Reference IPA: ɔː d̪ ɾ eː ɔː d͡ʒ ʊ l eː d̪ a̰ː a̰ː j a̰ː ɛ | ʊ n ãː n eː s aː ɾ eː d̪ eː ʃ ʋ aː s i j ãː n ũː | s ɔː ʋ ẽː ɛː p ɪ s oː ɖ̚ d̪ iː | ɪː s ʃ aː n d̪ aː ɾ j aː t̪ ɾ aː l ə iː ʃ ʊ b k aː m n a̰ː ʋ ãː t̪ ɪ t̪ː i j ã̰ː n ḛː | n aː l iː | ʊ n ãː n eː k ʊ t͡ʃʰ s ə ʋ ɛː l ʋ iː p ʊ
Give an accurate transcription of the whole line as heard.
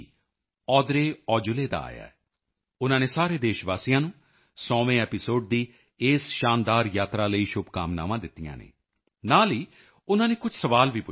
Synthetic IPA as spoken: ɔː d̪ ɾ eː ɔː d͡ʒ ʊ l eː d̪ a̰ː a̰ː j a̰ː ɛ | ʊ n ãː n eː s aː ɾ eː d̪ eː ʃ ʋ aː s i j ãː n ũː | s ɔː ʋ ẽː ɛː p ɪ s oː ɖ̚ d̪ iː | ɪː s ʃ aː n d̪ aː ɾ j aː t̪ ɾ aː l ə iː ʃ ʊ b k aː m n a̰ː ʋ ãː d̪ ɪ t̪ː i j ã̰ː n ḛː | n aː l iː | ʊ n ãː n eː k ʊ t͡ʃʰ s ə ʋ aː l ʋ iː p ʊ